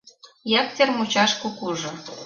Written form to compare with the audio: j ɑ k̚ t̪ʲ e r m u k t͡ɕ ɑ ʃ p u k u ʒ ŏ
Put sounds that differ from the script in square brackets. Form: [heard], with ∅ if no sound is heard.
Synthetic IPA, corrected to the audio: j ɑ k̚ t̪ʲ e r m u [∅] t͡ɕ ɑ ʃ [k] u k u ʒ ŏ